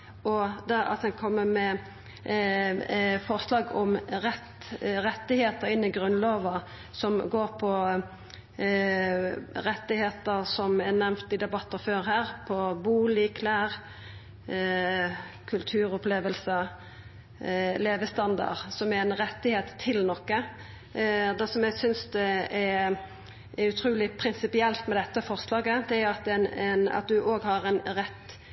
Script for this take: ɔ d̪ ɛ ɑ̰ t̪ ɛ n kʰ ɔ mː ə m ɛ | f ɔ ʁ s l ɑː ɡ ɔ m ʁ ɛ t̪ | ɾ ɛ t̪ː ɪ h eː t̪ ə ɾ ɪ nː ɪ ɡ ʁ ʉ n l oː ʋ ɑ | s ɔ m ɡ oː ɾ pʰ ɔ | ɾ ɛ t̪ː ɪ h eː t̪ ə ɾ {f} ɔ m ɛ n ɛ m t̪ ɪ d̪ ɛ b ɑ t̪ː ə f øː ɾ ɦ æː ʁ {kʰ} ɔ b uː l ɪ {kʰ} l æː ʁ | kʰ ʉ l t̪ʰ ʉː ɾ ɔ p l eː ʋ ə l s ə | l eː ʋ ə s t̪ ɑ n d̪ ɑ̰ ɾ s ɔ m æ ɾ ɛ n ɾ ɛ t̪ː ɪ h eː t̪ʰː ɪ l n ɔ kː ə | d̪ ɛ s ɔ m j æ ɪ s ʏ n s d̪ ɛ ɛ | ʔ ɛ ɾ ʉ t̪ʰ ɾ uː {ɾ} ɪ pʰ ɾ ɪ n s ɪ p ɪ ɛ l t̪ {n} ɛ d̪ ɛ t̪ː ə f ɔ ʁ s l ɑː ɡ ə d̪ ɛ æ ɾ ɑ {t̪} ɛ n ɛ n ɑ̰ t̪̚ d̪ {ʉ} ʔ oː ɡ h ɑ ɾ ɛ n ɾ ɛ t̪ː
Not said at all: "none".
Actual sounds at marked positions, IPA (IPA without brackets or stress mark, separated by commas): s, pʰ, kʰ, l, m, t̪, ʉ